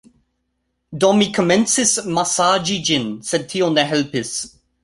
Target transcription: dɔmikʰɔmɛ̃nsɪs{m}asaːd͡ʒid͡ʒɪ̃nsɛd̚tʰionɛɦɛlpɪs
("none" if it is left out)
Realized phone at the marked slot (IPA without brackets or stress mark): m